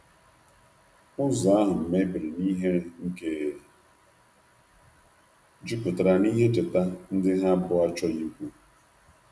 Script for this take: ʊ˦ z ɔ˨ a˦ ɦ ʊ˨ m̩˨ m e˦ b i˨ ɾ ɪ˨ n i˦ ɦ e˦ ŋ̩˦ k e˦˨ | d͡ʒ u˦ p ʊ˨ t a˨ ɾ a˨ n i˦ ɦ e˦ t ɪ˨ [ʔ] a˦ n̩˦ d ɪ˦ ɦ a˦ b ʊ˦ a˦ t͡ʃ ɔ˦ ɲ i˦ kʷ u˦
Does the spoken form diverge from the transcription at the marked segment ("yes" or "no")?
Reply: yes